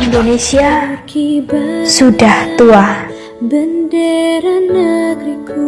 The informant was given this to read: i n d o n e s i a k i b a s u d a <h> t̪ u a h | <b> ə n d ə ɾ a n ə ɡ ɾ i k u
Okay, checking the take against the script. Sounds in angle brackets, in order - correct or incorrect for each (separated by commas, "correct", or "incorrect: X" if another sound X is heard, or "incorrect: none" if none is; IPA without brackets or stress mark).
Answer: correct, correct